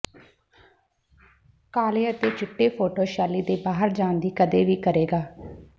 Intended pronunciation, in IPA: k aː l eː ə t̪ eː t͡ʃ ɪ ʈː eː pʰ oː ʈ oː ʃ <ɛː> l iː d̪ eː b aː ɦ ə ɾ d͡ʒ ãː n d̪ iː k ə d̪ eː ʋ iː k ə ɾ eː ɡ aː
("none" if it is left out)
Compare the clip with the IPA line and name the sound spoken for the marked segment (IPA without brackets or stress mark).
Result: aː